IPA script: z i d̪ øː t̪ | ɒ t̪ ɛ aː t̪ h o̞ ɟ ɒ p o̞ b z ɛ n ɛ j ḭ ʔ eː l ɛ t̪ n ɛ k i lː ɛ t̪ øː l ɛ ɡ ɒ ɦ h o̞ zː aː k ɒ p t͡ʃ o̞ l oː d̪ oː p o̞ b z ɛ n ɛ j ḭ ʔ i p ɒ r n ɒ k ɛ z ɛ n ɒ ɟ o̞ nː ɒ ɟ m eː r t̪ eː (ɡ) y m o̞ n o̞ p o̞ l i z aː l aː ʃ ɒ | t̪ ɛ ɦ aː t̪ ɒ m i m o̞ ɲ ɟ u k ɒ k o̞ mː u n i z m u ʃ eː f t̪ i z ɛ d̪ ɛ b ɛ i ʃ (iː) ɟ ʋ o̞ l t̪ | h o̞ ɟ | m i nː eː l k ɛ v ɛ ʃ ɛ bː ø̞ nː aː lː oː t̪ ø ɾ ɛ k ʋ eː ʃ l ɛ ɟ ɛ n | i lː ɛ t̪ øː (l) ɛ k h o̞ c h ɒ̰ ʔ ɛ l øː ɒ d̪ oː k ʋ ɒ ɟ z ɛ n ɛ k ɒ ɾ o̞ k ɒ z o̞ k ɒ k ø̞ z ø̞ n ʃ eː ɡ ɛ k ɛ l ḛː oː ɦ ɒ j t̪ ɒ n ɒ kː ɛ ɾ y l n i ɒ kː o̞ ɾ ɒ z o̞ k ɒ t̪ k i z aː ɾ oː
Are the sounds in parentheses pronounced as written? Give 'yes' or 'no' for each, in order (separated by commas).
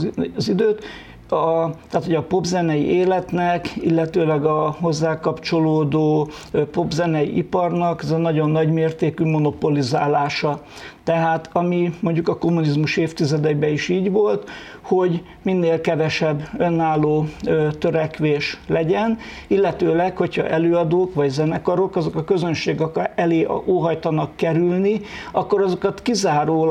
no, yes, yes